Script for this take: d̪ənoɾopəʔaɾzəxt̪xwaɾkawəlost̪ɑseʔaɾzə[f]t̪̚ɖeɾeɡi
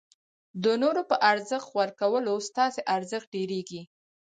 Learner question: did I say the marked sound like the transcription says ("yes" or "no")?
no